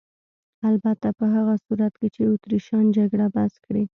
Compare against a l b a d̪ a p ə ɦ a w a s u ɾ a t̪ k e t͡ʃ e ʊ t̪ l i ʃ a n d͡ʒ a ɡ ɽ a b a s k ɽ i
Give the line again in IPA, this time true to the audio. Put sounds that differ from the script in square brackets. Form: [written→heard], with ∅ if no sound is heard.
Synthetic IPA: a l b a [d̪→t̪] a p ə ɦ a [w→ɣ] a s u ɾ a t̪ k e t͡ʃ e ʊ t̪ [l→ɾ] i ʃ [a→ɑ] n d͡ʒ a ɡ ɽ a b a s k ɽ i